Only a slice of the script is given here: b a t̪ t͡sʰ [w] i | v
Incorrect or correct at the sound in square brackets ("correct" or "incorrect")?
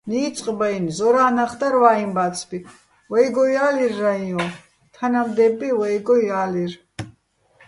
incorrect